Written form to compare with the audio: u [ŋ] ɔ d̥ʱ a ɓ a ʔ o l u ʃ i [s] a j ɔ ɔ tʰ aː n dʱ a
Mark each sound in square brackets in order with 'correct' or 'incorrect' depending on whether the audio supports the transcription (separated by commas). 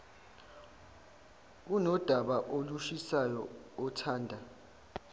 incorrect, correct